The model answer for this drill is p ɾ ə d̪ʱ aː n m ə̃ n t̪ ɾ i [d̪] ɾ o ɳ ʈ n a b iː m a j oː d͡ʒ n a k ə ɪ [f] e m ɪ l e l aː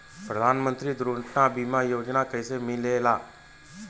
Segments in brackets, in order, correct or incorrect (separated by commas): correct, incorrect